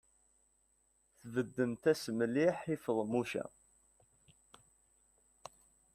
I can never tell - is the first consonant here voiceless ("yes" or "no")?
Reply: yes